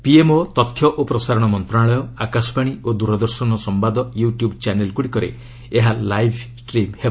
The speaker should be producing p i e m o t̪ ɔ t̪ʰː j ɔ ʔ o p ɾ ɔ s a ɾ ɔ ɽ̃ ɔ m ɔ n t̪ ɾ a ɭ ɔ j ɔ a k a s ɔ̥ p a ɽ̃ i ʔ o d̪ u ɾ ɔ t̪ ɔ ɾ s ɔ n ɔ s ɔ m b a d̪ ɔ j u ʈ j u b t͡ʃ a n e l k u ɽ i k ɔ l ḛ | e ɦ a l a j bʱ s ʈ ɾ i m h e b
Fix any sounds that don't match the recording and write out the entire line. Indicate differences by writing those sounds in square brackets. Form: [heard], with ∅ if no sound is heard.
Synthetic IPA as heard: p i e m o t̪ ɔ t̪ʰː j ɔ ʔ o p ɾ ɔ s a ɾ ɔ ɽ̃ ɔ m ɔ n t̪ ɾ a ɭ ɔ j ɔ a k a s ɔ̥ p a ɽ̃ i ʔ o d̪ u ɾ ɔ [d̪] ɔ ɾ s ɔ n ɔ s ɔ m b a d̪ ɔ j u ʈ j u b t͡ʃ a n e l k u ɽ i k ɔ [ɾ] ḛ | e ɦ a l a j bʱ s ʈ ɾ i m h e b